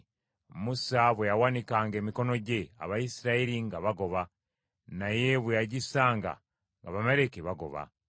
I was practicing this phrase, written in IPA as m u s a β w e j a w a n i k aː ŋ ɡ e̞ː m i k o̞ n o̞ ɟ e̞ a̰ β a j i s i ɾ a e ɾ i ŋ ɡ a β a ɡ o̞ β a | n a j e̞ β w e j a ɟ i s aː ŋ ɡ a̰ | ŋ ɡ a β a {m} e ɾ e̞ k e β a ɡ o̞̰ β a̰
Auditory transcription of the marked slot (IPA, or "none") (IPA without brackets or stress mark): m